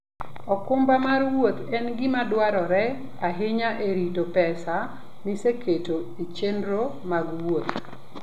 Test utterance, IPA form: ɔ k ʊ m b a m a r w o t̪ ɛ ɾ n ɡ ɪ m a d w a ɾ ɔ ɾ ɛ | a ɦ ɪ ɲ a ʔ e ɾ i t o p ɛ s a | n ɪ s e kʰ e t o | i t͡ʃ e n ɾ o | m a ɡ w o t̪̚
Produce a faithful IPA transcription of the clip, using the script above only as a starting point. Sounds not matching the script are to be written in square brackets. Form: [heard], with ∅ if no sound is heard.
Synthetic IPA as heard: ɔ k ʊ m b a m a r w o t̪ ɛ [∅] n ɡ ɪ m a d w a ɾ ɔ ɾ ɛ | a ɦ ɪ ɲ a ʔ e ɾ i t o p ɛ s a | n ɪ s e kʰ e t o | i t͡ʃ e n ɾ o | m a ɡ w o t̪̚